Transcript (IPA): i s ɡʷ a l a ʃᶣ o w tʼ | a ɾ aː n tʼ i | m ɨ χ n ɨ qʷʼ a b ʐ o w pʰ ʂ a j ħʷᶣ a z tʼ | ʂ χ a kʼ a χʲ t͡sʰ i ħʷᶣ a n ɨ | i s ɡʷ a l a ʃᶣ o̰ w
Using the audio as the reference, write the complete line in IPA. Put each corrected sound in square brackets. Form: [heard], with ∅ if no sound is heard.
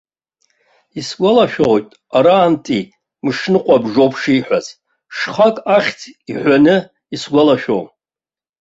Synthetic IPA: i s ɡʷ a l a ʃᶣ o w tʼ | a ɾ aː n tʼ i | m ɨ [ʂ] n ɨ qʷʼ a b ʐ o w pʰ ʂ [i] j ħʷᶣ a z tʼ | ʂ χ a kʼ a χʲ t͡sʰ i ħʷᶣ a n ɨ | i s ɡʷ a l a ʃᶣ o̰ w